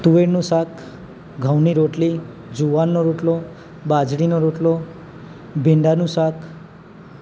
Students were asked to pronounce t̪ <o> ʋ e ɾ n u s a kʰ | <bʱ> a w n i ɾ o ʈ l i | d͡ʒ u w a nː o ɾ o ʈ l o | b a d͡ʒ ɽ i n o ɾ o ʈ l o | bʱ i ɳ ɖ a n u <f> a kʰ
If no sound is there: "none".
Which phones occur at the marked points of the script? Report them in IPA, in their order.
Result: u, ɡʱ, s

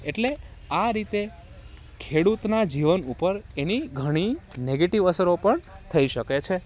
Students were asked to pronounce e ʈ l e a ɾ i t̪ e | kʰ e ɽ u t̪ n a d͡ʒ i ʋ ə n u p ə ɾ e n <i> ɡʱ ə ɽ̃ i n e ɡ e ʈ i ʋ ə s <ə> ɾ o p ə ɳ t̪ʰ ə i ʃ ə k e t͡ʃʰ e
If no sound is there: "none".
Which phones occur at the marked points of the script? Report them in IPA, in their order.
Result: i, ə

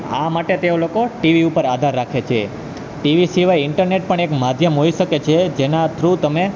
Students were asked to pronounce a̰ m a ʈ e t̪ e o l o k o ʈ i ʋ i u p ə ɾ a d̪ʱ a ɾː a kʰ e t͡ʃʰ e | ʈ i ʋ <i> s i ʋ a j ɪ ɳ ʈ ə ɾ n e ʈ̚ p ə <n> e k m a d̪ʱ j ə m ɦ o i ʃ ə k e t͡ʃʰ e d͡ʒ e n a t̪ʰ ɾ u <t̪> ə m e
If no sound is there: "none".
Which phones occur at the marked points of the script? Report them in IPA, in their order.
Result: i, ɳ, t̪

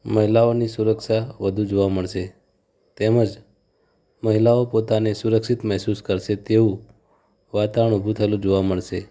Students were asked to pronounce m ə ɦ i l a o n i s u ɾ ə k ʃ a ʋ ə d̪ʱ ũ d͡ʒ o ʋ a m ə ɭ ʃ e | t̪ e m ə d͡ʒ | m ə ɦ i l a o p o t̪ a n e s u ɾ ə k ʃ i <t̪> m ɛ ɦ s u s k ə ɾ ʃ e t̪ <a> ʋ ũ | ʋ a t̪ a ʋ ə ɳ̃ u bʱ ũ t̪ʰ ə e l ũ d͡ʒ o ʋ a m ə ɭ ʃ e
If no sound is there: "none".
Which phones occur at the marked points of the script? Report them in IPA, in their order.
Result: t̪, e

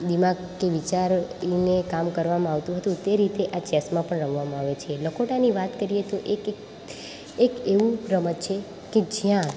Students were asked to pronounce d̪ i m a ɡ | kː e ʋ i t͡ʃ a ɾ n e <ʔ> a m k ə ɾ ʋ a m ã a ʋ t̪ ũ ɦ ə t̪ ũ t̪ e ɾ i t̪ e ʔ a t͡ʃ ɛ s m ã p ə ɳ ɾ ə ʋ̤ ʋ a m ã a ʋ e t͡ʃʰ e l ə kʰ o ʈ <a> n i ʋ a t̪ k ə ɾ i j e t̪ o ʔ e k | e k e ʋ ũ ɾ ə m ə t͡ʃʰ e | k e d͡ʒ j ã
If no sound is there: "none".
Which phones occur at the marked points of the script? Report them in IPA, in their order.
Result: k, a

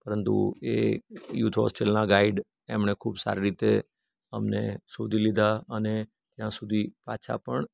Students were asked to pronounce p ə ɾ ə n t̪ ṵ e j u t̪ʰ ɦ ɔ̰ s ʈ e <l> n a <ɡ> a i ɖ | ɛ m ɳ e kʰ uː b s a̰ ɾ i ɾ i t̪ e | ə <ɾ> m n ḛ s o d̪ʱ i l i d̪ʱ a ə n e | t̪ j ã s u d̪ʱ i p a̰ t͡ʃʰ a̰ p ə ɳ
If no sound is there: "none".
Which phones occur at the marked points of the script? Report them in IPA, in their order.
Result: l, ɡ, none

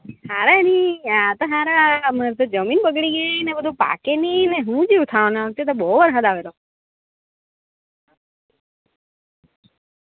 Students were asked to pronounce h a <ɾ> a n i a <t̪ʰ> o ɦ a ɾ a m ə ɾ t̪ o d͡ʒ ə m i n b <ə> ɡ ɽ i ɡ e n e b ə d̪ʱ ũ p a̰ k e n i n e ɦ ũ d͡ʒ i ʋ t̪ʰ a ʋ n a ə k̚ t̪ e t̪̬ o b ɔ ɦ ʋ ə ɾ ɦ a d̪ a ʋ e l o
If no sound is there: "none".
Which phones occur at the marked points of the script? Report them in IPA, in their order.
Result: ɾ, t̪, ə

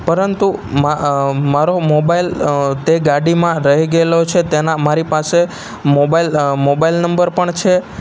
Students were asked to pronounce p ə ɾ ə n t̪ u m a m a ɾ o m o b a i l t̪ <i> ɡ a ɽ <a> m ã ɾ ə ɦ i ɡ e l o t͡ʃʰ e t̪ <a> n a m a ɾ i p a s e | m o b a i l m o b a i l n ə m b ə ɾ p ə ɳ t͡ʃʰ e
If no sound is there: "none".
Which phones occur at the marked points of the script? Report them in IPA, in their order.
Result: e, i, e

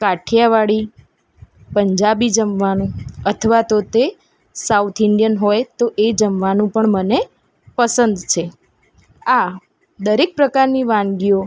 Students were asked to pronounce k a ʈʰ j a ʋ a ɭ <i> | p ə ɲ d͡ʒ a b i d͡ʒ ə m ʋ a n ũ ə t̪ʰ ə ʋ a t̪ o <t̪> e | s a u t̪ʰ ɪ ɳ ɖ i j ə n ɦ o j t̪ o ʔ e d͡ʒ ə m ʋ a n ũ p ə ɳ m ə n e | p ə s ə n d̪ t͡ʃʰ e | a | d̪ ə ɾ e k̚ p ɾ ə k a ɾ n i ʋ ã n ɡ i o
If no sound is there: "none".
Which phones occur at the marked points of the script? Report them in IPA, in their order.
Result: i, t̪

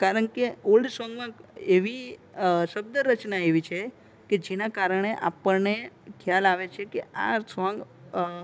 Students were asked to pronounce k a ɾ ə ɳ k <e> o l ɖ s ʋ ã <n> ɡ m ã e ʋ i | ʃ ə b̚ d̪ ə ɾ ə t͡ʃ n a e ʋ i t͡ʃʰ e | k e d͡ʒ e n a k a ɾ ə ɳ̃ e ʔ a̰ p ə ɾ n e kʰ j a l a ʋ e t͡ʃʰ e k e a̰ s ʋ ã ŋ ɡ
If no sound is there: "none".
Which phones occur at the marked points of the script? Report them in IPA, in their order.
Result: e, ŋ

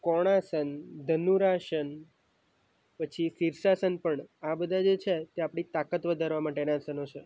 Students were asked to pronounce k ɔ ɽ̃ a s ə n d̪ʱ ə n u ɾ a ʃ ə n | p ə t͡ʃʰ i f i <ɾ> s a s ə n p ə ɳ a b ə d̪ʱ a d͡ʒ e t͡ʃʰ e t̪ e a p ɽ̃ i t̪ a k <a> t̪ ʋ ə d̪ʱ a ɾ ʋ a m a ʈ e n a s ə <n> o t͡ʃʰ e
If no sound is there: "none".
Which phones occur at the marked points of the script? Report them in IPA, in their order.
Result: ɾ, ə, n

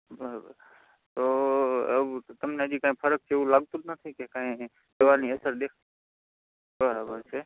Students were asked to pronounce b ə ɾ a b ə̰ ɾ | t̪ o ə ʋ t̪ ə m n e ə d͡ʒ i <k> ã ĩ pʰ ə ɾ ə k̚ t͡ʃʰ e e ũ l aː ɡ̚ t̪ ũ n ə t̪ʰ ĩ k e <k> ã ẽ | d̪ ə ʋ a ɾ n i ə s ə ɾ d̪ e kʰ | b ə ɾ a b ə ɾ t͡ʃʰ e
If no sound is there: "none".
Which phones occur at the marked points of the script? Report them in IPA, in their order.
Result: k, k

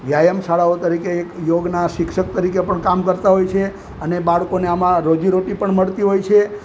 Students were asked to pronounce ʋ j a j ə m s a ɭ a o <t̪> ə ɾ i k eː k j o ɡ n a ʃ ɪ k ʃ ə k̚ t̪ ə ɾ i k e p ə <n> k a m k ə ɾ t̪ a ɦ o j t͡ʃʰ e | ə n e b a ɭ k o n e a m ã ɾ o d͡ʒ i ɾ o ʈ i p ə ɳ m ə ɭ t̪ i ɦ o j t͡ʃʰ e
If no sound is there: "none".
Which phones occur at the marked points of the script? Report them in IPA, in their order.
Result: t̪, ɳ

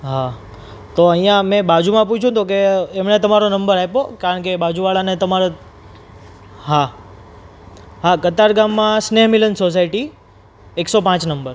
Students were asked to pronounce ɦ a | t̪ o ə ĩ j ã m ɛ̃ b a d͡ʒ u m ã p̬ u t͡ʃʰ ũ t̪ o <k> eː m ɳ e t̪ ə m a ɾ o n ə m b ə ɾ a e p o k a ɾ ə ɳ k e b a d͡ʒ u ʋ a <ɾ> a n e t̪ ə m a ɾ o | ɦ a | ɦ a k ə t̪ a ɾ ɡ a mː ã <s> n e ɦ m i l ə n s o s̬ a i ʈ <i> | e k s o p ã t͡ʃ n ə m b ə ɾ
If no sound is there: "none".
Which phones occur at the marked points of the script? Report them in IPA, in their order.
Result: k, ɭ, s, i

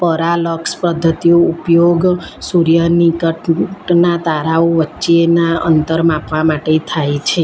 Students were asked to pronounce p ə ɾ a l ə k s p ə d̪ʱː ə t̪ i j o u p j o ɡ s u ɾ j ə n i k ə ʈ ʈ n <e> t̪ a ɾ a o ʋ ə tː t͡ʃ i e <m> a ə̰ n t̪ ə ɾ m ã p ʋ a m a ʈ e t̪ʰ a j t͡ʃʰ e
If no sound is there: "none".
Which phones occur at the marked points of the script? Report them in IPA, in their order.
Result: a, n

